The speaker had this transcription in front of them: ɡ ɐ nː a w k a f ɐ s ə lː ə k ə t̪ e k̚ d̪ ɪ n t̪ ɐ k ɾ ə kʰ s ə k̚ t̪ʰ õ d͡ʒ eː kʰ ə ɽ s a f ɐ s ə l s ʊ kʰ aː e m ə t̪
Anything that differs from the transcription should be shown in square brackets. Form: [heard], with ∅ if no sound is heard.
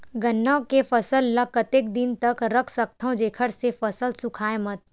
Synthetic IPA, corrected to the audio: ɡ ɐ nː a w k [e] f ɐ s ə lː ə k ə t̪ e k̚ d̪ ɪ n t̪ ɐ k ɾ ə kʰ s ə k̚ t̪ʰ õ d͡ʒ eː kʰ ə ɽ s [e] f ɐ s ə l s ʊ kʰ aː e m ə t̪